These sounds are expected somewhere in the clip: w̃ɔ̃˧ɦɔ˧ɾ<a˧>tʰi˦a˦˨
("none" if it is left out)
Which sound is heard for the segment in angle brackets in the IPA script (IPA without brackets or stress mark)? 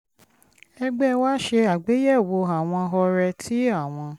ɛ˧